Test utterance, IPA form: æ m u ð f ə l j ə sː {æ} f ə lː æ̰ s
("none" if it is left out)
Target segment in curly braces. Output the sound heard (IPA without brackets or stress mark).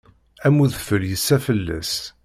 æ